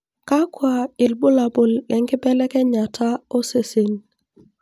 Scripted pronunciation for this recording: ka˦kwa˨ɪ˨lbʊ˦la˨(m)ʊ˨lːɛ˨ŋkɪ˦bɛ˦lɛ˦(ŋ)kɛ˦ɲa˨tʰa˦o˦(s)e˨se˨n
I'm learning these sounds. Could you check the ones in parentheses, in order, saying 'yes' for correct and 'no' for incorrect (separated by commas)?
no, no, yes